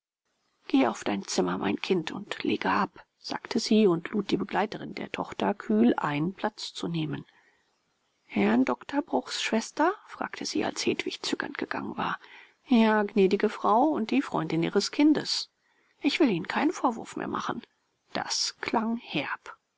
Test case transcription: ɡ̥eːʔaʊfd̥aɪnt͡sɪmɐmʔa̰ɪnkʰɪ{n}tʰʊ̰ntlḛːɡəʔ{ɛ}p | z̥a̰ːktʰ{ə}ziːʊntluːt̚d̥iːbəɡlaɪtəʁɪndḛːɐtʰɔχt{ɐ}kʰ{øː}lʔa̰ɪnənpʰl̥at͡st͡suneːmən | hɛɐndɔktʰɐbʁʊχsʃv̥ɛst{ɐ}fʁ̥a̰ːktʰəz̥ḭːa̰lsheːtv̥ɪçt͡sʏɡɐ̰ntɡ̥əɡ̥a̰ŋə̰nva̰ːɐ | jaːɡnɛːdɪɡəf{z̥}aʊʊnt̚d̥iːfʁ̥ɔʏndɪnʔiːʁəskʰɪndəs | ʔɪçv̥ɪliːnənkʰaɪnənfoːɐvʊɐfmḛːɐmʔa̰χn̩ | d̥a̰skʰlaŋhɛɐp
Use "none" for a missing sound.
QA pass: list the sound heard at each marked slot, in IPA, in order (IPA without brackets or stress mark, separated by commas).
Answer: n, a, ə, ɐ, yː, ɐ, ʁ̥